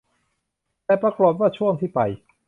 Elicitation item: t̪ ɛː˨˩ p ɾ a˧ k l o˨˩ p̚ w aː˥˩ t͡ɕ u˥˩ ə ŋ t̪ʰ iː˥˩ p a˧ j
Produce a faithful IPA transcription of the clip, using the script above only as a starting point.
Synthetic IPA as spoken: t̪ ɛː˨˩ p ɾ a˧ k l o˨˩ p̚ w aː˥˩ t͡ɕʰ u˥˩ ə ŋ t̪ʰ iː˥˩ p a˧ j